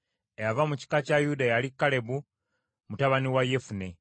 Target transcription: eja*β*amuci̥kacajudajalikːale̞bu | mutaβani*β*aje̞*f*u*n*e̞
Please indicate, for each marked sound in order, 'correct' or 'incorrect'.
incorrect, incorrect, correct, correct

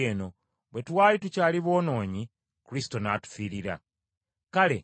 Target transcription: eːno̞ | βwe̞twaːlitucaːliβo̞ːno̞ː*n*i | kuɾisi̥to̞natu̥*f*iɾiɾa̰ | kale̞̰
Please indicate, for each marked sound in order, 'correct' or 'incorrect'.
incorrect, correct

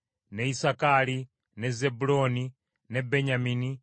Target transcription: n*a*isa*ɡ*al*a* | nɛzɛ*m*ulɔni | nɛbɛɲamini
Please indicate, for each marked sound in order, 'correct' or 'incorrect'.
incorrect, incorrect, incorrect, incorrect

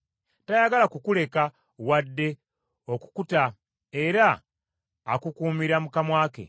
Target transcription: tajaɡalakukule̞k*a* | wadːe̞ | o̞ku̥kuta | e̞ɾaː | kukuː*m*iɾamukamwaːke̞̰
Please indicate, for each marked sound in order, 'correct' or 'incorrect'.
correct, correct

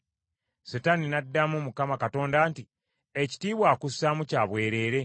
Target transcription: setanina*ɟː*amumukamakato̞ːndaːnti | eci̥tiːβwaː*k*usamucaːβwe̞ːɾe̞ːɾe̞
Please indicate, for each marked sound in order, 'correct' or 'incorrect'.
incorrect, correct

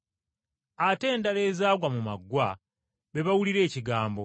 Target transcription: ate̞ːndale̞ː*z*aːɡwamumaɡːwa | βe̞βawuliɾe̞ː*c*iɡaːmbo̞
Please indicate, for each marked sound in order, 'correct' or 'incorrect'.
correct, correct

